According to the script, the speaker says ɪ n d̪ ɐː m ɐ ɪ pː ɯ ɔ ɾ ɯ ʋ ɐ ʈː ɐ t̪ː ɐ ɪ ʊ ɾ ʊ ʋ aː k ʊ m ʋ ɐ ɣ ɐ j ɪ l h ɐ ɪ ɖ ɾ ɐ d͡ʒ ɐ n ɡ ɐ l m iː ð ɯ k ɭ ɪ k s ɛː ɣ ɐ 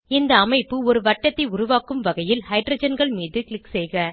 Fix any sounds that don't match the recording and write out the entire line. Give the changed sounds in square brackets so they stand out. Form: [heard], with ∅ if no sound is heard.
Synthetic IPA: ɪ n d̪ ɐː m ɐ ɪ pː ɯ ɔ ɾ ɯ ʋ ɐ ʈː ɐ t̪ː ɐ ɪ ʊ ɾ ʊ ʋ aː k [ɯ] m ʋ ɐ ɣ ɐ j ɪ l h ɐ ɪ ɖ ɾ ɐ d͡ʒ ɐ n ɡ ɐ [ɭ] m iː ð ɯ k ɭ ɪ k s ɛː ɣ ɐ